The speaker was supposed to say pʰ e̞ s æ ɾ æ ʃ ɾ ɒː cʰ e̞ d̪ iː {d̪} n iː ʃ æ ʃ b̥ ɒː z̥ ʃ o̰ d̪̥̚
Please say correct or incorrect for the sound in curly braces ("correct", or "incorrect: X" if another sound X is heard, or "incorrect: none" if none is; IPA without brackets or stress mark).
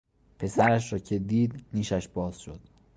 correct